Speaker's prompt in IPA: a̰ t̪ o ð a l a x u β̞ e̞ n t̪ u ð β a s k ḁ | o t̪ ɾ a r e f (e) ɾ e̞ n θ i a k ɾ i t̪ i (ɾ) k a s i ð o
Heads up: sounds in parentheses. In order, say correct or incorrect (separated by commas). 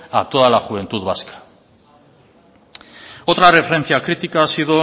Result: correct, incorrect